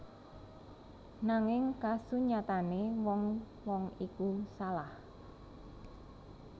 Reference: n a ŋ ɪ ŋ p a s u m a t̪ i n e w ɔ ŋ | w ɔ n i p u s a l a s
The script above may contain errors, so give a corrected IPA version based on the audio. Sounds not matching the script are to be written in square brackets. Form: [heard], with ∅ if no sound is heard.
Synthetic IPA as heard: n a ŋ ɪ ŋ [k] a s u [ɲ] a t̪ [a] n e w ɔ ŋ | w ɔ [ŋ] i [k] u s a l a [h]